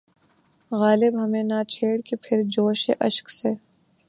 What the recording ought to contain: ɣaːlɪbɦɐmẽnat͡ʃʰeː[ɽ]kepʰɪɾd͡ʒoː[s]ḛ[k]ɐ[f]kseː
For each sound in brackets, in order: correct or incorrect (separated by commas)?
correct, incorrect, incorrect, incorrect